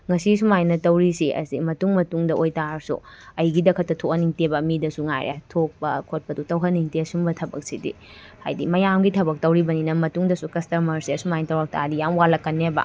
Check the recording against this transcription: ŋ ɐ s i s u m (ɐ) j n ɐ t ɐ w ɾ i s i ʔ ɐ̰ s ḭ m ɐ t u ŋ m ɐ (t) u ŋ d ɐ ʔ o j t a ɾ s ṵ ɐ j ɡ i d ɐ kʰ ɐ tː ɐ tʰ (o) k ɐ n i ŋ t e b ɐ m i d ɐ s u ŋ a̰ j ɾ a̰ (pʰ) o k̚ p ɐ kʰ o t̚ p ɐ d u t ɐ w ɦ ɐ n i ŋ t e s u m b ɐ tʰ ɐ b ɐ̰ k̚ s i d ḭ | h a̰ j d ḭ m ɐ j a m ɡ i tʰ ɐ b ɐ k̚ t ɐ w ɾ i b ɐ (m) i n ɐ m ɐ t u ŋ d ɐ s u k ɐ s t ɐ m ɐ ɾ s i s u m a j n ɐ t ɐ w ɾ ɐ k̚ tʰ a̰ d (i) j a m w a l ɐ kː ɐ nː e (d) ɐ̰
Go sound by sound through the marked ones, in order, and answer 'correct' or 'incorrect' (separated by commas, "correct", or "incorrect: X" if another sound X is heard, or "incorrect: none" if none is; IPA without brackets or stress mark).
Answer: incorrect: a, correct, correct, incorrect: tʰ, incorrect: n, correct, incorrect: b